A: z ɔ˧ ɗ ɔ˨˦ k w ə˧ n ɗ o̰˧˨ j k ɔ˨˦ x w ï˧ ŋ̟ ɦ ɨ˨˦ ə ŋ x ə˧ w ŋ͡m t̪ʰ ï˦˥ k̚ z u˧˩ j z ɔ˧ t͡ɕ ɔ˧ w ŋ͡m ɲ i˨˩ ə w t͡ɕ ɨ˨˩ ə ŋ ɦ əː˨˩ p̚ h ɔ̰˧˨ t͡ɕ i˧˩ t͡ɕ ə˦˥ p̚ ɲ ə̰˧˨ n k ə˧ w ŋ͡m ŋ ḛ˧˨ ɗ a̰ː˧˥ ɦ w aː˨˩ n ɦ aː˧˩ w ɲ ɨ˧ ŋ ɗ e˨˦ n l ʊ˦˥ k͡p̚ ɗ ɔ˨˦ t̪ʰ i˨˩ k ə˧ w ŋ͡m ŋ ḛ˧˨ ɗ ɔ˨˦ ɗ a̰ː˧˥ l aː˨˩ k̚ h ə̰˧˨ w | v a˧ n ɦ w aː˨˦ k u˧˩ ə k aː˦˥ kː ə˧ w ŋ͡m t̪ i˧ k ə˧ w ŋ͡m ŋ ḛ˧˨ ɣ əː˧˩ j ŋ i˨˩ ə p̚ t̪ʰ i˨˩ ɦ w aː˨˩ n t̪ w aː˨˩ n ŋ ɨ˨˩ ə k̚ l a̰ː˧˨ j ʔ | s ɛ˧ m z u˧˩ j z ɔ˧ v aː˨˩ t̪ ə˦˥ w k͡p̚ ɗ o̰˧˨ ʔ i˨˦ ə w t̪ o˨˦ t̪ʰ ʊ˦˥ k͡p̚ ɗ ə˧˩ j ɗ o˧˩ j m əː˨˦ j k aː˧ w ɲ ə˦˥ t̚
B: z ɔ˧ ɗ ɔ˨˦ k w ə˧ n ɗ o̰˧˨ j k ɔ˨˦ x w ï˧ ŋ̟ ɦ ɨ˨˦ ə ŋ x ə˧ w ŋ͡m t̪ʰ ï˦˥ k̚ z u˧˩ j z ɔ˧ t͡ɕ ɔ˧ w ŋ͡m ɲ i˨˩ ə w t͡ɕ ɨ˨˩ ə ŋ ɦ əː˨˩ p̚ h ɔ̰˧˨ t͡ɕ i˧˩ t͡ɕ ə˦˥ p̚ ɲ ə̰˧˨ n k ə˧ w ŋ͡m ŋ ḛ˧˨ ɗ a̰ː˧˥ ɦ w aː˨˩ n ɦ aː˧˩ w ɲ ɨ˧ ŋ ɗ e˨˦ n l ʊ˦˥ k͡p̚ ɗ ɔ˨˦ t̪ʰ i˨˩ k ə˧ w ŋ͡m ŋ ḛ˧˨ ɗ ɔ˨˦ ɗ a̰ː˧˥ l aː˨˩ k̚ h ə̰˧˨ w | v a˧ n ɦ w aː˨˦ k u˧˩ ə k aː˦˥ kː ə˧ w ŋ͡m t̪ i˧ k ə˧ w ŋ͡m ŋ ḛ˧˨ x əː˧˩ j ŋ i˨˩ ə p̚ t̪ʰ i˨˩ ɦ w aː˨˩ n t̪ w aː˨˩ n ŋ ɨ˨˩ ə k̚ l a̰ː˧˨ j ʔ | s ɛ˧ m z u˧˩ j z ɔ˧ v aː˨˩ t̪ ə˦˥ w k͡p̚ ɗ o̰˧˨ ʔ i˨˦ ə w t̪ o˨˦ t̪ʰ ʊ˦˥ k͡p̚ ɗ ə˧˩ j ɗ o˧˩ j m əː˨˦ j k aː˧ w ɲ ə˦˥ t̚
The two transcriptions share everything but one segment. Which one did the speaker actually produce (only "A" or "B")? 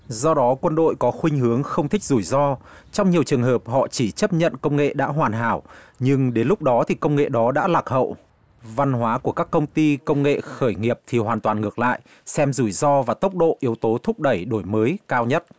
B